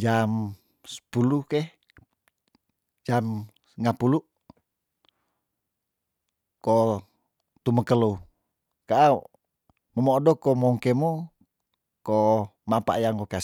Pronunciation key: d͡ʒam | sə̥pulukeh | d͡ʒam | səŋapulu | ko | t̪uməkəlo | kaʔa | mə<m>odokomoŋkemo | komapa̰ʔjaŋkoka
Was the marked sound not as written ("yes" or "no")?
no